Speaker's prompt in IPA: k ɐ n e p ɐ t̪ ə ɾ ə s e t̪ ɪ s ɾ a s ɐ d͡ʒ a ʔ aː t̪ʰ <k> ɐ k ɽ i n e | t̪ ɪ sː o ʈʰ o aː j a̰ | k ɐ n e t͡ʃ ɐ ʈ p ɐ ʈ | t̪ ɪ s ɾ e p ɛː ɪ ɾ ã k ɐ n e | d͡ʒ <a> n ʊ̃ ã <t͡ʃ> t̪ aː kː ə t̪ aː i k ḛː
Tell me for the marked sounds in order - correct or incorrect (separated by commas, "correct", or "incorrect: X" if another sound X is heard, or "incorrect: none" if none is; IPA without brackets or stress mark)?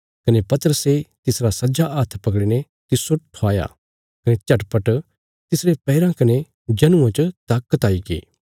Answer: incorrect: p, incorrect: ɐ, correct